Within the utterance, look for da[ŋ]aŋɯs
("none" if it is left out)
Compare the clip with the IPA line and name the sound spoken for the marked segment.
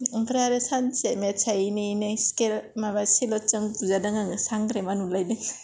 ŋ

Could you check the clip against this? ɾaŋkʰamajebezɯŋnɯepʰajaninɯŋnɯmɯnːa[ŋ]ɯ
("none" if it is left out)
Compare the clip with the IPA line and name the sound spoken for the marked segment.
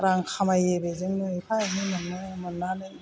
n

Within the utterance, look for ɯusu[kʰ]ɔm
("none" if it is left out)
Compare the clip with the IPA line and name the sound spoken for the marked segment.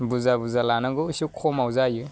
kʰ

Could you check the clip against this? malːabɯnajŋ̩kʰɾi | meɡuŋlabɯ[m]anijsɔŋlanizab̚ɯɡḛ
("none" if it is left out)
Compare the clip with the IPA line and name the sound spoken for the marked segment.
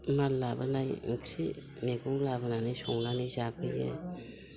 n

